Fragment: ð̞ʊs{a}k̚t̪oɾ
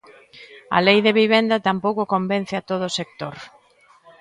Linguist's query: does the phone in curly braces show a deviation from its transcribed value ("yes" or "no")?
yes